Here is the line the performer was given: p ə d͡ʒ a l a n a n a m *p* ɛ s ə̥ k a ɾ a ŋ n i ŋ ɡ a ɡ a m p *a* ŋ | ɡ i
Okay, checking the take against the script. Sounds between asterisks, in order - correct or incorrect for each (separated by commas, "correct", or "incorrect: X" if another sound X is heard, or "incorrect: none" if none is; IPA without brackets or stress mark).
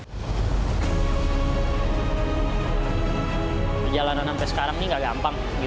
correct, correct